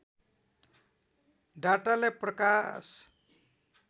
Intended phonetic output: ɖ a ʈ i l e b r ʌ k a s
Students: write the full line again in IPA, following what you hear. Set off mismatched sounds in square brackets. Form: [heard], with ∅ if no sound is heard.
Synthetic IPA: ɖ a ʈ [a] l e [p] r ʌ k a s

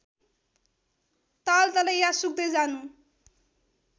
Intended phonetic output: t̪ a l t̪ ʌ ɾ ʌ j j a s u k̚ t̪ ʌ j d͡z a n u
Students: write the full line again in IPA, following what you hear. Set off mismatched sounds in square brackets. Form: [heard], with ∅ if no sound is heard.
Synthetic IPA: t̪ a l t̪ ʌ [l] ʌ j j a s u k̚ [d̪] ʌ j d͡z a n u

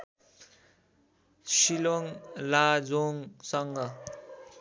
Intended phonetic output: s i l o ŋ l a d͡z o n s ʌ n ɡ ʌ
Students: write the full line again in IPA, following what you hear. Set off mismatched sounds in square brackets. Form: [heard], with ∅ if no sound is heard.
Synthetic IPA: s i l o ŋ l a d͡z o [ŋ] s ʌ [ŋ] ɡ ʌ

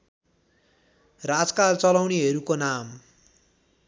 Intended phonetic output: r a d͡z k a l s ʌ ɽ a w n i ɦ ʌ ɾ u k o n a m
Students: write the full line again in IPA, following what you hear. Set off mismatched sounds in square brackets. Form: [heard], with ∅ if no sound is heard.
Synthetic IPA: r a d͡z k a l [t͡s] ʌ [l] a w n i ɦ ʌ ɾ u k o n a m

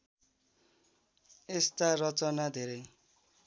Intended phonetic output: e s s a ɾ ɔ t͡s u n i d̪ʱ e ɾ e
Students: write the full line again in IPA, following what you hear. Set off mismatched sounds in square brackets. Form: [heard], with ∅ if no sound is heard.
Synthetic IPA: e s [t] a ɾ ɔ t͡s [ɔ] n [a] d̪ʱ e ɾ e

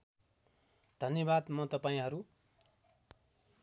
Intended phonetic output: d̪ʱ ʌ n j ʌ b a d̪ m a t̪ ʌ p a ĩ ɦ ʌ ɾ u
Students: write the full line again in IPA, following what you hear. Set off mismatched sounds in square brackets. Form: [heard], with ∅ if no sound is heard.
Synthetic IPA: d̪ʱ ʌ n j ʌ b a d̪ m [ʌ] t̪ ʌ p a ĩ ɦ ʌ ɾ u

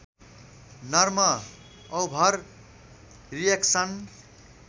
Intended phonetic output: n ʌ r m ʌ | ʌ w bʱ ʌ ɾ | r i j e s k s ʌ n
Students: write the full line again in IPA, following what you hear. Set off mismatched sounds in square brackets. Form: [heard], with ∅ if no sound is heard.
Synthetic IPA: n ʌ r m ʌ | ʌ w bʱ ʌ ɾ | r i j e [∅] k s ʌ n

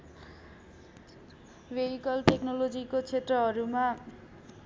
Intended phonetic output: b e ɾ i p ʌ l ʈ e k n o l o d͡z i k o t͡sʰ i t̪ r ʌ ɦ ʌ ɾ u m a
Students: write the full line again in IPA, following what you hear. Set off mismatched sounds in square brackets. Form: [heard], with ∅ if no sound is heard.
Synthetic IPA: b e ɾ i [k] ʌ l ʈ e k n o l o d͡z i k o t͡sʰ [e] t̪ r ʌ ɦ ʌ ɾ u m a

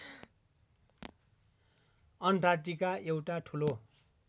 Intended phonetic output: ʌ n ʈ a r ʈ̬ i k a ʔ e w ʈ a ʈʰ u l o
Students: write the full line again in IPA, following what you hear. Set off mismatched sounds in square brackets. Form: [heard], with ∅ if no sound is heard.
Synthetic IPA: ʌ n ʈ a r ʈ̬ i k a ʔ e w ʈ a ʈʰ u l o

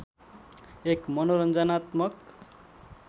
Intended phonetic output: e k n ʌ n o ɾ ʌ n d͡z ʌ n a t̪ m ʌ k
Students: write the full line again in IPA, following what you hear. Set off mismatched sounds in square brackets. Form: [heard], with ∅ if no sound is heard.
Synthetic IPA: e k [m] ʌ n o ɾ ʌ n d͡z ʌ n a t̪ m ʌ k

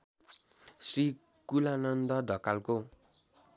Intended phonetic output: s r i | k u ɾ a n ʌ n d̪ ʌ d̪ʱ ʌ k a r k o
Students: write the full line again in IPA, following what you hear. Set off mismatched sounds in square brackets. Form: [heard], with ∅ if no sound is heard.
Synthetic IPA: s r i | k u [l] a n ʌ n d̪ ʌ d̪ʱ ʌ k a [l] k o

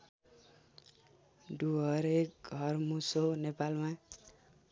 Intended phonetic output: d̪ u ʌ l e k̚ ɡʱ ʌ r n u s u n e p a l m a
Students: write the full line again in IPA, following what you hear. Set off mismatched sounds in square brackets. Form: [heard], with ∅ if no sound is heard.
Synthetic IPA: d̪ u ʌ [ɾ] e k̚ ɡʱ ʌ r [m] u s [o] n e p a l m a

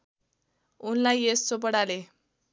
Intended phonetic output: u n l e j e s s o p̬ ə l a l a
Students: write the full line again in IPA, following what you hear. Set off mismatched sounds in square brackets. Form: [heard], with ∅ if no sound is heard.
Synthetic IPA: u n l [a] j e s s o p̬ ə [ɽ] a l [e]

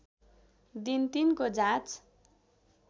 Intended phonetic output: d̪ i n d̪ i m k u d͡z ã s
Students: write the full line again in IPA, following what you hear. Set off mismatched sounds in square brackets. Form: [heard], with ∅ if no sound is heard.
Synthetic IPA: d̪ i n [t̪] i [n] k [o] d͡z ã [t͡s]

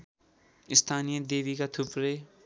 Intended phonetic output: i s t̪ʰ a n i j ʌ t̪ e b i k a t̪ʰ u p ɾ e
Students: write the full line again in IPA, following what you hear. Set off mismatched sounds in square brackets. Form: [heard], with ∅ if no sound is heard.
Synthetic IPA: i s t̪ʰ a n i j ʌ [d̪] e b i k a t̪ʰ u p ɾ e

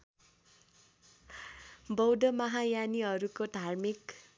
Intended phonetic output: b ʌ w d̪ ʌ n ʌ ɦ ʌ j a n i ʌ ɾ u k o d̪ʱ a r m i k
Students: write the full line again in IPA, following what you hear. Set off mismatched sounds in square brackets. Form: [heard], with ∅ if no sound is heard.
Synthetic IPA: b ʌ w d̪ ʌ [m] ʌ ɦ [a] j a n i ʌ ɾ u k o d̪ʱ a r m i k

